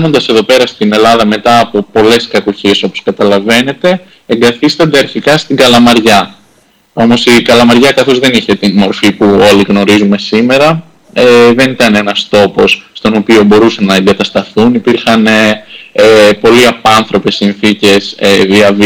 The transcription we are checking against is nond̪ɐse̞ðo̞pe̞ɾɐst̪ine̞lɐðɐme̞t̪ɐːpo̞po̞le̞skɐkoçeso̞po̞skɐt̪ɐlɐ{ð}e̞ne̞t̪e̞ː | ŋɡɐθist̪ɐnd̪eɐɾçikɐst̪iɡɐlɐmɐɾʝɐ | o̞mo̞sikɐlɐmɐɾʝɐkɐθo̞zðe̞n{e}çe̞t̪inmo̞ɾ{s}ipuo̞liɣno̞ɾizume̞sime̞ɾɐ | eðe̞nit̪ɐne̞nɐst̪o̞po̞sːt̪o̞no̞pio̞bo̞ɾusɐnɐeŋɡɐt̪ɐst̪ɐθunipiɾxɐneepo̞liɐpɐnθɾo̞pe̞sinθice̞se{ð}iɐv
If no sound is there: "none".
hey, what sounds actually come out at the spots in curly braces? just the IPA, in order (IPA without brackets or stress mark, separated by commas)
v, i, f, ð